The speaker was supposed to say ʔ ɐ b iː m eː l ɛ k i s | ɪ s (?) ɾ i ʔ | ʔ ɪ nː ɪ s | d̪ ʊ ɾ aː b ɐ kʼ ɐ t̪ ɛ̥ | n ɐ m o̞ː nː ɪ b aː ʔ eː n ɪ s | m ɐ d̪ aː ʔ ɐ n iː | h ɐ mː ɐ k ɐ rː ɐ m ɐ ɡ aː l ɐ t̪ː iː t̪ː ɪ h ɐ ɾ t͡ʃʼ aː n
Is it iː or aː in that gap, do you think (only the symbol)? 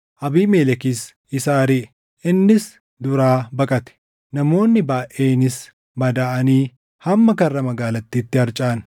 aː